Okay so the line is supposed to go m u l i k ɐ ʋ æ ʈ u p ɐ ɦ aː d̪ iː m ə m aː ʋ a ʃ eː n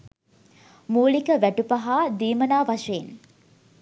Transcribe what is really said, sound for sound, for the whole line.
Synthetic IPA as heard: m uː l i k ə ʋ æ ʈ u p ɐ ɦ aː d̪ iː m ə n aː ʋ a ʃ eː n